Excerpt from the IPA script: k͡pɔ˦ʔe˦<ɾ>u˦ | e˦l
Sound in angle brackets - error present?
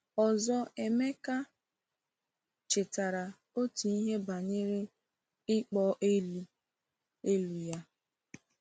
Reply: yes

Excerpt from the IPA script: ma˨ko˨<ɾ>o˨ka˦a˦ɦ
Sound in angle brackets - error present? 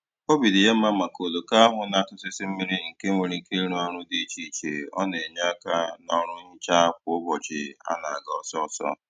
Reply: yes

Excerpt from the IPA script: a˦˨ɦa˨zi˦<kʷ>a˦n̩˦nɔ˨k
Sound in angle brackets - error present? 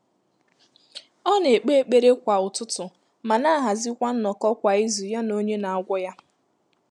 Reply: no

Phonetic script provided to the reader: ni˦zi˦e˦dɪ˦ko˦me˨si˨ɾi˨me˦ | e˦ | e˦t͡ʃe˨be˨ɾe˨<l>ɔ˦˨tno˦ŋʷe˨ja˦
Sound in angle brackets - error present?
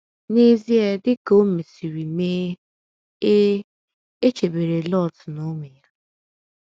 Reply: no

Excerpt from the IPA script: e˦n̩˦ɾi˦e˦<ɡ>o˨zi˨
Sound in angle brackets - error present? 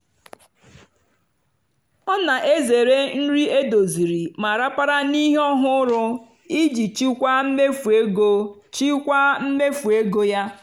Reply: yes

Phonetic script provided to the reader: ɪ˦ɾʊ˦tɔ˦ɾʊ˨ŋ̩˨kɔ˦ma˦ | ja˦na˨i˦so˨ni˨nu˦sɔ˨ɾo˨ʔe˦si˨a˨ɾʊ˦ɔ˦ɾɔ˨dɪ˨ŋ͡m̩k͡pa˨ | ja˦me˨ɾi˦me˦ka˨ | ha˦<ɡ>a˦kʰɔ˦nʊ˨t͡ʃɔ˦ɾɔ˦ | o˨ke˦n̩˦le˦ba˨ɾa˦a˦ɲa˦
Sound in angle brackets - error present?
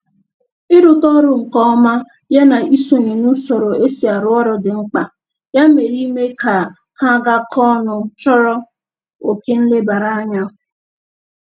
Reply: no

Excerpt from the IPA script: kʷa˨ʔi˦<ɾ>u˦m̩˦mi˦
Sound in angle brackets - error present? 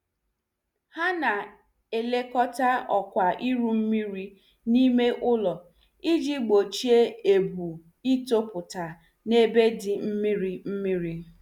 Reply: no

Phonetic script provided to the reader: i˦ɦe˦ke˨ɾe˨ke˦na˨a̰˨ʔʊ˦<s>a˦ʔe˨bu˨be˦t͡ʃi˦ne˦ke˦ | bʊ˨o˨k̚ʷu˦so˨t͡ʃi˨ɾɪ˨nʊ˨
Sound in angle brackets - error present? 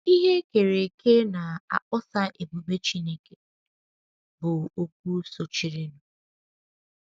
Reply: no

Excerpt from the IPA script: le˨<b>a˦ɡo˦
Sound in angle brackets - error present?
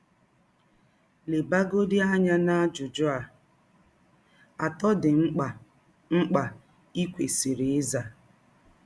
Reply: no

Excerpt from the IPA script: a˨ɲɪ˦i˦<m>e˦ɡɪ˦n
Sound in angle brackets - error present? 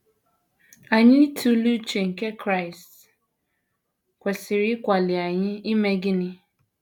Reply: no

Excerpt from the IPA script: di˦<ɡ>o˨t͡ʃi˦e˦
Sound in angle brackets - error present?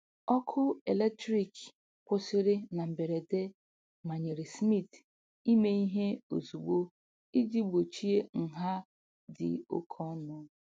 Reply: yes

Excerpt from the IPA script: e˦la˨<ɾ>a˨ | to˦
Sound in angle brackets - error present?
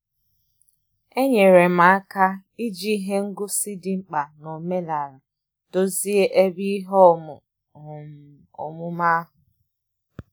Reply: no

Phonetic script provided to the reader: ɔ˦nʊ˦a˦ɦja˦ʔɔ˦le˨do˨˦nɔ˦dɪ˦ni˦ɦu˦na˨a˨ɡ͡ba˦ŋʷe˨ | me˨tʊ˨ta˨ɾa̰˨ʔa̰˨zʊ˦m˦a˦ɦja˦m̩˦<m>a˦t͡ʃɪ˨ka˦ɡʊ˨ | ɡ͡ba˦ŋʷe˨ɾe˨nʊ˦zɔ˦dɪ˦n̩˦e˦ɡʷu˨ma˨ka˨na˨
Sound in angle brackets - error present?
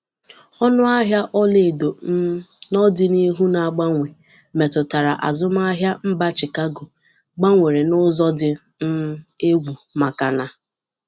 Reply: yes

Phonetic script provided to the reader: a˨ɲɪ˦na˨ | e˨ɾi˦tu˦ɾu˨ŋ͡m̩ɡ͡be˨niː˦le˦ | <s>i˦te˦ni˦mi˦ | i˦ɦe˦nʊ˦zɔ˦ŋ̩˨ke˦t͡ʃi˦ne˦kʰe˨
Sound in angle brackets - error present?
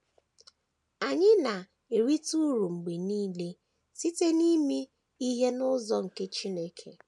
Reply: no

